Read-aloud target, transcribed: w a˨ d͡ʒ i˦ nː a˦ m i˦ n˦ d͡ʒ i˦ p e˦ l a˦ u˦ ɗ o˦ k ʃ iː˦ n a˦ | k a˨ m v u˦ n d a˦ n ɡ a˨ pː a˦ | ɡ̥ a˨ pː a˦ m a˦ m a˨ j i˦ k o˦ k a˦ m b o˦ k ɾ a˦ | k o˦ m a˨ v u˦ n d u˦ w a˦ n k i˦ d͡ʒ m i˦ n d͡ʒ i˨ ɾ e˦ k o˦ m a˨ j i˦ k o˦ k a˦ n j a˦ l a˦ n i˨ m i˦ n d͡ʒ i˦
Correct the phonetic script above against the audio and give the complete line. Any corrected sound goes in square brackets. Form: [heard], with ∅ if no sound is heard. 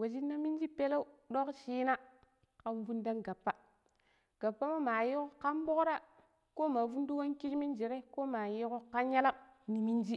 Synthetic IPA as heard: w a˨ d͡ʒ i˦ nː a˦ m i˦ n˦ d͡ʒ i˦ p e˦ l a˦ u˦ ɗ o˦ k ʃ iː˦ n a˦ | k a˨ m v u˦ n d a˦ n ɡ a˨ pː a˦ | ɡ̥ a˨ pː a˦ m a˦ m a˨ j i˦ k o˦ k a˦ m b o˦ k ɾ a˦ | k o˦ m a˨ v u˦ n d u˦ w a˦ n k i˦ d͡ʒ m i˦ n d͡ʒ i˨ ɾ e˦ k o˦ m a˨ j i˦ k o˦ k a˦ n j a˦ l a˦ n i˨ m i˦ n d͡ʒ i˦